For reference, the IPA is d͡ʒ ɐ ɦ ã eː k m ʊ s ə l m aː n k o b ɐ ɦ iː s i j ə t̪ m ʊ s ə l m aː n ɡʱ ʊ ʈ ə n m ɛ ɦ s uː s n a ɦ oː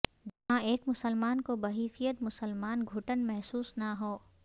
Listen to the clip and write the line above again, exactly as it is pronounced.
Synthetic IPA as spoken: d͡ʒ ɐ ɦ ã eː k m ʊ s ə l m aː n k o b ɐ ɦ iː s i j ə t̪ m ʊ s ə l m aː n ɡʱ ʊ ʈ ə n m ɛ ɦ s uː s n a ɦ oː